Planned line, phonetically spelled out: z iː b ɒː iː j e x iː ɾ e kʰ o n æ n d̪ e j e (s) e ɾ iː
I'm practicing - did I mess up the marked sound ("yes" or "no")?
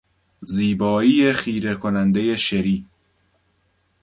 yes